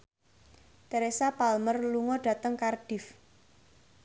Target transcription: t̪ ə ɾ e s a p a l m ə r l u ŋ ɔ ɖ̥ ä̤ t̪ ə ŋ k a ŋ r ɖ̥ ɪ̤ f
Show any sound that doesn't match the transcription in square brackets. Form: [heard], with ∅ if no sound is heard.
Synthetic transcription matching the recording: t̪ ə ɾ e s a p a l m ə r l u ŋ ɔ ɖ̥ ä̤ t̪ ə ŋ k a [∅] r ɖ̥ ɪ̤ f